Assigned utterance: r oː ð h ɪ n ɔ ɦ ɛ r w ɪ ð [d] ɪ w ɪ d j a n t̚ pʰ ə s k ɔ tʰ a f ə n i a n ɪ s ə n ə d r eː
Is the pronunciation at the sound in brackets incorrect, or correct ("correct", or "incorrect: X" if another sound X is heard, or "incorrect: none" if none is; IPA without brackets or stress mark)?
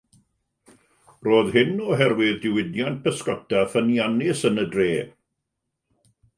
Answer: correct